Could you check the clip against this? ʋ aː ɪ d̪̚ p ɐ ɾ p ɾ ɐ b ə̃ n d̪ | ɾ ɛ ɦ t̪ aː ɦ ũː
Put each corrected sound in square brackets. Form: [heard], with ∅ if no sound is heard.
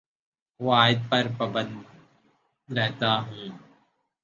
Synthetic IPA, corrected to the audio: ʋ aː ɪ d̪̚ p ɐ ɾ p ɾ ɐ b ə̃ n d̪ | ɾ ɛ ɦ t̪ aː ɦ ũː